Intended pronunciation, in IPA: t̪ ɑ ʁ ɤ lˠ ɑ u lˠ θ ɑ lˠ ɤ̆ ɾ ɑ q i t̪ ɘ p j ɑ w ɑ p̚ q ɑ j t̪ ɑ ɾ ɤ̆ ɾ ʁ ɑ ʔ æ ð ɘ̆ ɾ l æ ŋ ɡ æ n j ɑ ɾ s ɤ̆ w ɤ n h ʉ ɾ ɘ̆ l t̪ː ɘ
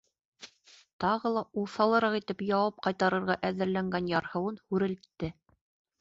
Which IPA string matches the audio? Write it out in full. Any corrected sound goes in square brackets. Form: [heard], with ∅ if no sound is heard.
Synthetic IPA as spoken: t̪ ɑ ʁ ɤ lˠ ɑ u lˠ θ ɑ lˠ ɤ̆ ɾ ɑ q i t̪ ɘ p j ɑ w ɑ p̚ q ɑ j t̪ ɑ ɾ ɤ̆ ɾ ʁ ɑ ʔ æ ð ɘ̆ ɾ l æ ŋ ɡ æ n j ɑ ɾ [h] ɤ̆ w ɤ n h ʉ ɾ ɘ̆ l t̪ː ɘ